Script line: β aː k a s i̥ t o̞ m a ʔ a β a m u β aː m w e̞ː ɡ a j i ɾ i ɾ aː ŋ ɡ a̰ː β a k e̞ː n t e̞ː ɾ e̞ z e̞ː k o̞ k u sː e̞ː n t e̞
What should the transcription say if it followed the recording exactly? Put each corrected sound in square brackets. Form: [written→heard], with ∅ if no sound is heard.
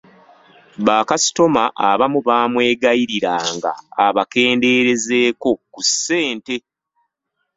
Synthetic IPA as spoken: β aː k a s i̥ t o̞ m a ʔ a β a m u β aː m w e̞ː ɡ a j i ɾ i ɾ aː ŋ ɡ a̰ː β a k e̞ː n [t→d] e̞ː ɾ e̞ z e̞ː k o̞ k u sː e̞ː n t e̞